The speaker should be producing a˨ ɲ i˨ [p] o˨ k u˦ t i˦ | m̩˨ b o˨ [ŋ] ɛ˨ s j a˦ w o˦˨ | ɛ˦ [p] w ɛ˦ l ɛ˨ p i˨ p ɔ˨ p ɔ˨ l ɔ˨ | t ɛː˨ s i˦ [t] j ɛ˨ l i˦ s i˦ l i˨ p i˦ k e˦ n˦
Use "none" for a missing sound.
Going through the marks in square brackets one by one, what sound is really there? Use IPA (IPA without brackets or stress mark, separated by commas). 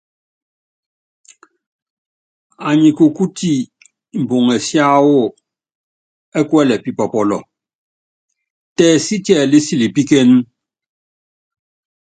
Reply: k, ŋ, k, t